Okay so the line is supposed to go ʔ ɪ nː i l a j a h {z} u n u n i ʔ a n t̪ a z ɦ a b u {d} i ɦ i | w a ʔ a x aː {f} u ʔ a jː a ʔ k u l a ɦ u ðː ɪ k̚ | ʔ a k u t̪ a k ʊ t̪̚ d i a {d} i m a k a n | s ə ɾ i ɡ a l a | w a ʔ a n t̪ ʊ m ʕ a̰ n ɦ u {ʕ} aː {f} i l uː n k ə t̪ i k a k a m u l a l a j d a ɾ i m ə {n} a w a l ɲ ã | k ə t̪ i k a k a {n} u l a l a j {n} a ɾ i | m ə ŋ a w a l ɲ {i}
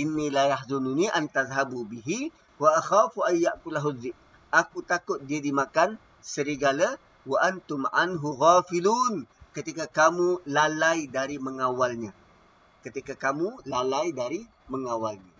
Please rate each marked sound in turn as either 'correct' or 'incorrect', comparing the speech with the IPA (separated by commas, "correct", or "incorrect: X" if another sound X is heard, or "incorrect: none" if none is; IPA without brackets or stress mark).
correct, incorrect: b, correct, correct, incorrect: ɣ, correct, incorrect: ŋ, incorrect: m, incorrect: d, incorrect: a